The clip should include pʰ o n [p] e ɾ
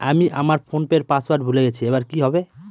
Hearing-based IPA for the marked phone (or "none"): p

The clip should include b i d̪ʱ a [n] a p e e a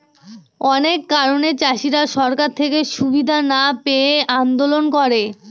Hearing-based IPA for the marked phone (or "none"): n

